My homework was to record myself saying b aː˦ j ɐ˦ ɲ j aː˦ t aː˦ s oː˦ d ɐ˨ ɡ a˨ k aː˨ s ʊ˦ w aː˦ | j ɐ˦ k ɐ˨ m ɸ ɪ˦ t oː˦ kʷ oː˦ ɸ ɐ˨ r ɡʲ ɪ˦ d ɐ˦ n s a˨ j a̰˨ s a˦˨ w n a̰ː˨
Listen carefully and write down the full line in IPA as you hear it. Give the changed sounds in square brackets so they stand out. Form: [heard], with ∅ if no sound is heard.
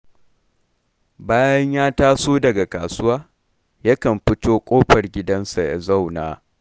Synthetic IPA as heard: b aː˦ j ɐ˦ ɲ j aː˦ t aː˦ s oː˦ d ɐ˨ ɡ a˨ k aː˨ s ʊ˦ w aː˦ | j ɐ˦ k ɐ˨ m ɸ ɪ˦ t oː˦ [kʷʼ] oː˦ ɸ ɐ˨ r ɡʲ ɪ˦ d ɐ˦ n s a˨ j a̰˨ [z] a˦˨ w n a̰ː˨